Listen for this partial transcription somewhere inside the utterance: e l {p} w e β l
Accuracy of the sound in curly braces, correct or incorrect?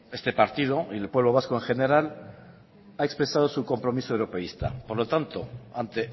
correct